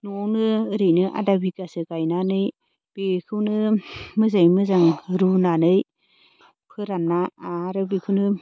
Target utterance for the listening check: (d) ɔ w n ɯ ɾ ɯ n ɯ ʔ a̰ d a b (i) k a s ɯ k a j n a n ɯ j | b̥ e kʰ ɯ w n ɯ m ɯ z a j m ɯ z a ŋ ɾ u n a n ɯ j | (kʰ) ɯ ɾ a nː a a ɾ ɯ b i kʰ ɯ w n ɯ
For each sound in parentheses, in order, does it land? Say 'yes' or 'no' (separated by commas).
no, yes, no